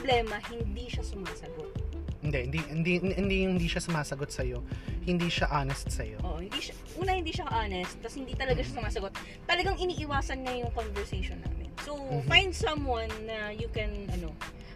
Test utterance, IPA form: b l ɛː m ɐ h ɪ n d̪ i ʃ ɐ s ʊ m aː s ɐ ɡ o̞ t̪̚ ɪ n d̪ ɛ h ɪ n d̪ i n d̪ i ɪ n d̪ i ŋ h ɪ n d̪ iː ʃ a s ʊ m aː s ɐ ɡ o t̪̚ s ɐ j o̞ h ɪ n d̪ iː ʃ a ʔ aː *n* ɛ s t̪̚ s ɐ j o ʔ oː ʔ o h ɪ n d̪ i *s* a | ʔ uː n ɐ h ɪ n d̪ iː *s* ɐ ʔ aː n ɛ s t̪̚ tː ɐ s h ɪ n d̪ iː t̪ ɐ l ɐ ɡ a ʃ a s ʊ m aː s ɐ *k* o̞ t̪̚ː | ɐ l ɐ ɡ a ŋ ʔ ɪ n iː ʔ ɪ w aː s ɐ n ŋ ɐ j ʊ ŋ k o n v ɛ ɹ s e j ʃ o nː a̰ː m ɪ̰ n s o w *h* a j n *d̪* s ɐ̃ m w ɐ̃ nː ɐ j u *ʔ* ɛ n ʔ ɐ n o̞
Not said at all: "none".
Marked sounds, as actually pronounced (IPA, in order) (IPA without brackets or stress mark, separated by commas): n, ʃ, ʃ, ɡ, f, d̪, k